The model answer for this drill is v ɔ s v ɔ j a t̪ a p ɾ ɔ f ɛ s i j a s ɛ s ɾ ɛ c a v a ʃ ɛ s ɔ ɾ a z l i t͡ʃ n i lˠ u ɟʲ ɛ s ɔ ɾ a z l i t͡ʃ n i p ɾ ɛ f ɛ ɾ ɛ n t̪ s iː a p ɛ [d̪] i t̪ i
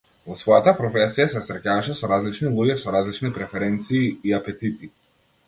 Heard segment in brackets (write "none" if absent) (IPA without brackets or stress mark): t̪